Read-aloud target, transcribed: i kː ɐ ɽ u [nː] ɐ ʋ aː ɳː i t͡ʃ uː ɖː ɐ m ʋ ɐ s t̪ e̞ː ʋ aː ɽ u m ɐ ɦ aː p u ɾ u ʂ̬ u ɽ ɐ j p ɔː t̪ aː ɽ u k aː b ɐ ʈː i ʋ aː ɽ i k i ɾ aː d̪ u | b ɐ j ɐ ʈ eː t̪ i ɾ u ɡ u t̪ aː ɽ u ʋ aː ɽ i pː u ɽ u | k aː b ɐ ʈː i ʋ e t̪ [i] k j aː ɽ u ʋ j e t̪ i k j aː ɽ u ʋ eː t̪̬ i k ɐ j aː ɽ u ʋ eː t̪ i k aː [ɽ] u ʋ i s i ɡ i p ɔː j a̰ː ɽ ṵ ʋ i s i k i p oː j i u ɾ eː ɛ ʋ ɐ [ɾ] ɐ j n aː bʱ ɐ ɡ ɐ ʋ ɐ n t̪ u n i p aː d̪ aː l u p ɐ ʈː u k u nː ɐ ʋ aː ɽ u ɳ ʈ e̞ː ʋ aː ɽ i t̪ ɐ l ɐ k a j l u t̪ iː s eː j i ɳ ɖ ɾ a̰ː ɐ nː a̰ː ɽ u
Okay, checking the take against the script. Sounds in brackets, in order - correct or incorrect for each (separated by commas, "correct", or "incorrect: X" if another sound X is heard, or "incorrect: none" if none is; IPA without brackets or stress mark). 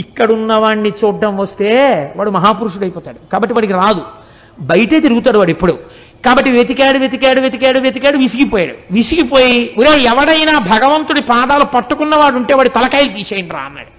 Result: correct, correct, correct, incorrect: ɽ